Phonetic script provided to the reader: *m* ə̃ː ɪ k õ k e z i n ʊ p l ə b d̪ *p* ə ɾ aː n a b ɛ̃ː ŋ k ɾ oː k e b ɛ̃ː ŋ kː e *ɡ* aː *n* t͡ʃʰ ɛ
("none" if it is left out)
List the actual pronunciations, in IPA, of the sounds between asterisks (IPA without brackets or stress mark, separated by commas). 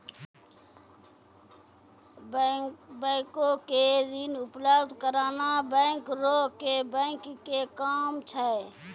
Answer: b, k, k, m